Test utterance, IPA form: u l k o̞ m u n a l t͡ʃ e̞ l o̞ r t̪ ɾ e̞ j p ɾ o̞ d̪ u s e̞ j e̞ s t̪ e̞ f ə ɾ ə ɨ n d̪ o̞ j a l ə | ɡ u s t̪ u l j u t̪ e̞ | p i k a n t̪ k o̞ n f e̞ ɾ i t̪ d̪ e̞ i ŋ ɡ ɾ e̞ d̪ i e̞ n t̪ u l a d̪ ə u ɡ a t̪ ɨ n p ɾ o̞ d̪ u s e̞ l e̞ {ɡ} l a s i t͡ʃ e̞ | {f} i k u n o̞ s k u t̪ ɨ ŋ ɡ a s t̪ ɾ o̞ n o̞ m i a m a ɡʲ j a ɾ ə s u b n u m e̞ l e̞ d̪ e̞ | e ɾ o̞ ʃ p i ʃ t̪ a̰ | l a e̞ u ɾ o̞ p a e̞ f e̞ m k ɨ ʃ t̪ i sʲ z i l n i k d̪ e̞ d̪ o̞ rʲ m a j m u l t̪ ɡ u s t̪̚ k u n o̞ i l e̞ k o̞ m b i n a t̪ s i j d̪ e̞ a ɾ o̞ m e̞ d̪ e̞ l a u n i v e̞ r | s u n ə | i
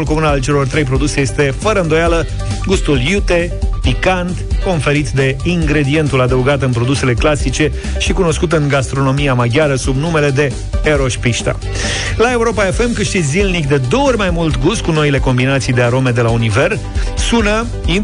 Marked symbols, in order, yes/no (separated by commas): no, no